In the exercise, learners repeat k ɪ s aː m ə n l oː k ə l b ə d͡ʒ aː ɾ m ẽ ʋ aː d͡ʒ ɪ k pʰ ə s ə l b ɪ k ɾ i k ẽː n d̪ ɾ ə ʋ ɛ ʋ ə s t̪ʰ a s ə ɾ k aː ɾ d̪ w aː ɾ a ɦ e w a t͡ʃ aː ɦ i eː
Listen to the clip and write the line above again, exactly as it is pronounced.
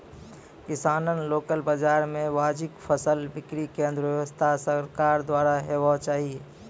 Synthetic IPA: k ɪ s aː n ə n l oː k ə l b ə d͡ʒ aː ɾ m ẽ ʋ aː d͡ʒ ɪ k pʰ ə s ə l b ɪ k ɾ i k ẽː n d̪ ɾ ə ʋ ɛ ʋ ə s t̪ʰ a s ə ɾ k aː ɾ d̪ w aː ɾ a ɦ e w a t͡ʃ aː ɦ i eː